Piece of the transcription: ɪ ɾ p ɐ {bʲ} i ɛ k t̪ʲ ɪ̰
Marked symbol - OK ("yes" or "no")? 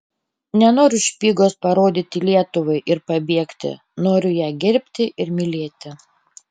yes